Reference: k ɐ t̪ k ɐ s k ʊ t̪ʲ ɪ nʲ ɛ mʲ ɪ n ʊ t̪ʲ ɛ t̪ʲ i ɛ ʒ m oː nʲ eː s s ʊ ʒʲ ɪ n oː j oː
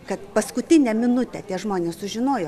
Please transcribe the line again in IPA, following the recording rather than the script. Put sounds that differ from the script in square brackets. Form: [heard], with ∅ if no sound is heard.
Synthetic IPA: k ɐ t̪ [p] ɐ s k ʊ t̪ʲ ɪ nʲ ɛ mʲ ɪ n ʊ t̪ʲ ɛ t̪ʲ i ɛ ʒ m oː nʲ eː s s ʊ ʒʲ ɪ n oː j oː

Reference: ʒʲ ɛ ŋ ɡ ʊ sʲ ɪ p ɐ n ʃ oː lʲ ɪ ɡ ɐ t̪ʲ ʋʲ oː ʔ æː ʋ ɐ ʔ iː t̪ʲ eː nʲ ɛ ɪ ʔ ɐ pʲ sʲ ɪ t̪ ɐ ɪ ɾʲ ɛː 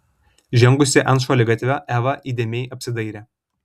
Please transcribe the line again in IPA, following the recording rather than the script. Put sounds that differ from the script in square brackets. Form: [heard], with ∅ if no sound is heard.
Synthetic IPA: ʒʲ ɛ ŋ ɡ ʊ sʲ ɪ [ʔ] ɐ n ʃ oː lʲ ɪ ɡ ɐ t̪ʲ ʋʲ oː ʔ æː ʋ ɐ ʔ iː [d̪ʲ] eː [mʲ] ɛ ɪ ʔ ɐ pʲ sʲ ɪ [d̪] ɐ ɪ ɾʲ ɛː

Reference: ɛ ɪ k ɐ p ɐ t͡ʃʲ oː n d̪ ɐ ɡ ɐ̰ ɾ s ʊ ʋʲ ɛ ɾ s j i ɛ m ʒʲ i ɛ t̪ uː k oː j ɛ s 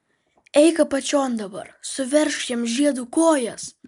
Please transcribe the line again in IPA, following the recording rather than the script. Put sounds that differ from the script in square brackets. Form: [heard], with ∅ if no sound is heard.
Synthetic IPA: ɛ ɪ k ɐ p ɐ t͡ʃʲ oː n d̪ ɐ [b] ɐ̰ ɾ s ʊ ʋʲ ɛ ɾ [ʃ] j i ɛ m ʒʲ i ɛ [d̪] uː k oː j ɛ s

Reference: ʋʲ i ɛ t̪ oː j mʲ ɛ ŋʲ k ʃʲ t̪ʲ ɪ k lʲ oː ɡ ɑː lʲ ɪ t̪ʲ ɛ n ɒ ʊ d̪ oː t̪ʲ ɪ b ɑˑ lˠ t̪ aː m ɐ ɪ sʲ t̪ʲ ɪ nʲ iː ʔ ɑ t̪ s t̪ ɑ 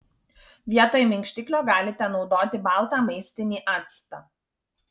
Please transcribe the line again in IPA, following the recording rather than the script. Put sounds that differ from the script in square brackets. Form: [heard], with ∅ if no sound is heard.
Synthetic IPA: ʋʲ i ɛ t̪ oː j mʲ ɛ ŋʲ k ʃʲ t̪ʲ ɪ k lʲ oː ɡ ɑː lʲ ɪ t̪ʲ ɛ n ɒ ʊ d̪ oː t̪ʲ ɪ b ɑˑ lˠ t̪ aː m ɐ ɪ sʲ t̪ʲ ɪ nʲ iː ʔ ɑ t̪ s t̪ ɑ

